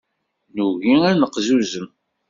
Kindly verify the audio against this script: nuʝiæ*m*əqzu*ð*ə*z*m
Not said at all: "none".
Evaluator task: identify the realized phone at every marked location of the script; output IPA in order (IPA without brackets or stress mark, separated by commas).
n, z, none